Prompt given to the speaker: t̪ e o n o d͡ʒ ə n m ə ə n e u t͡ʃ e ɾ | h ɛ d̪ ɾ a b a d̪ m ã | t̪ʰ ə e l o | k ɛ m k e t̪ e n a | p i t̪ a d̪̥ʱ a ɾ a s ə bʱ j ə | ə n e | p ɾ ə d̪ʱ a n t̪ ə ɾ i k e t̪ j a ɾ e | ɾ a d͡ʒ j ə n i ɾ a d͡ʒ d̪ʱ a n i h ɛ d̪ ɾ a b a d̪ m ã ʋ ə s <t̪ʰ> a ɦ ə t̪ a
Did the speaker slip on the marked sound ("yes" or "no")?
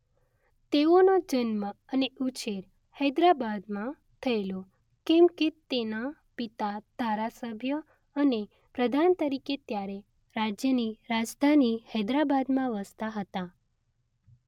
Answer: yes